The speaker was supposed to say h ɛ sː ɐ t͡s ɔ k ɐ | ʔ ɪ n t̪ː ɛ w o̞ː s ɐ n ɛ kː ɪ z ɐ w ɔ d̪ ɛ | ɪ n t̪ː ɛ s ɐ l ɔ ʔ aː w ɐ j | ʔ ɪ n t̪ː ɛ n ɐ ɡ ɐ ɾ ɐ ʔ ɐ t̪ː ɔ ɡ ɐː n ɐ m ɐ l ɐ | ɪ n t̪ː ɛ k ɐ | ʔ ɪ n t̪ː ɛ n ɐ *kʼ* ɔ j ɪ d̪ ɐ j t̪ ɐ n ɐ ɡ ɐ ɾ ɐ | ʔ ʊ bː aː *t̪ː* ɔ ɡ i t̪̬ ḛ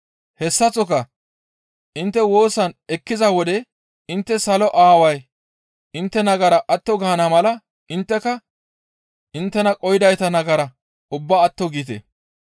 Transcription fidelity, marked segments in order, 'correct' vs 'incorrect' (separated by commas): correct, correct